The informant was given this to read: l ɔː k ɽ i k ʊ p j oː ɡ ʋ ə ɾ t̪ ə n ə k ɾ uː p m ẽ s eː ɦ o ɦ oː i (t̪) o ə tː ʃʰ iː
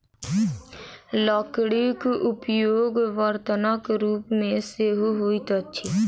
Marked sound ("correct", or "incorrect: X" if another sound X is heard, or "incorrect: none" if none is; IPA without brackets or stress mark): correct